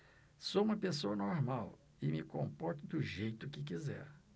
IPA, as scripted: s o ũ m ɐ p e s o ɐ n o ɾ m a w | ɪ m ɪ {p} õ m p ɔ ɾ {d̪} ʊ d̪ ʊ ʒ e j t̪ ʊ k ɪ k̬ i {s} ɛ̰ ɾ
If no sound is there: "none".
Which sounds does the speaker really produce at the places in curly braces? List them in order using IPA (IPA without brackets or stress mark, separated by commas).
k, t̪, z